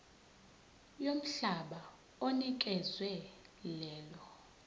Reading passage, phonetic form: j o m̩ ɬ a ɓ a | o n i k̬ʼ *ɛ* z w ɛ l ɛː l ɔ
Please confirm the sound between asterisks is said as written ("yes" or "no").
yes